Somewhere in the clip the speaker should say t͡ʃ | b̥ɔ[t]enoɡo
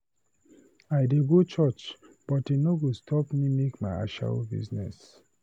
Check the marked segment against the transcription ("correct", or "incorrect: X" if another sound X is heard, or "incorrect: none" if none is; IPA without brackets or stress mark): correct